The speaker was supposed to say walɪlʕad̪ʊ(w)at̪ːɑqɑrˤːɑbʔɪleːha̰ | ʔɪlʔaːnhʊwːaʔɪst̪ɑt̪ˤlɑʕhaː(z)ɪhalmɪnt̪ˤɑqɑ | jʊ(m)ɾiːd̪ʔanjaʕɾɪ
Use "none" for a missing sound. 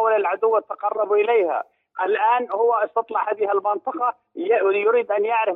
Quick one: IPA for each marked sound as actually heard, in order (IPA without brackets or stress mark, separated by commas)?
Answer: wː, ð, none